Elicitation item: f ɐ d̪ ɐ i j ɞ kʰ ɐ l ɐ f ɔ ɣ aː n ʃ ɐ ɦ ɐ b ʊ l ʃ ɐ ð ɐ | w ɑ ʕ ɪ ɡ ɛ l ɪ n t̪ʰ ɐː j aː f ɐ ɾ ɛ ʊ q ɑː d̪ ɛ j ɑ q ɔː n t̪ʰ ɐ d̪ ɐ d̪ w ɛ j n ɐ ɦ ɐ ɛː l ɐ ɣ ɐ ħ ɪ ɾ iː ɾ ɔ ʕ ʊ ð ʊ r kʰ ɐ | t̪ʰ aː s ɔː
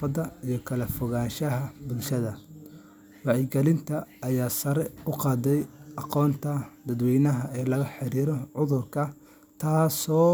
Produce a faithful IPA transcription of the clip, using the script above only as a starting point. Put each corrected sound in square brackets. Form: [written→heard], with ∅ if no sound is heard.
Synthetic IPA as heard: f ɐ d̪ ɐ i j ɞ kʰ ɐ l ɐ f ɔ ɣ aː n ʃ ɐ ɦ ɐ b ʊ l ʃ ɐ ð ɐ | w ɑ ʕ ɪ ɡ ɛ l ɪ n t̪ʰ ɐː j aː [f→s] ɐ ɾ ɛ ʊ q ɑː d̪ ɛ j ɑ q ɔː n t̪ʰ ɐ d̪ ɐ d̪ w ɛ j n ɐ ɦ ɐ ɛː l ɐ ɣ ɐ ħ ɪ ɾ iː ɾ ɔ ʕ ʊ ð ʊ r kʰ ɐ | t̪ʰ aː s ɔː